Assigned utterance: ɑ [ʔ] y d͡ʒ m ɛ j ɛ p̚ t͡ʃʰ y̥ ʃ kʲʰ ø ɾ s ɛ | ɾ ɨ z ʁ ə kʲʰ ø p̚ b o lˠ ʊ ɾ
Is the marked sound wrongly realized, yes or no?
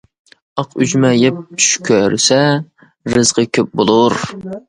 yes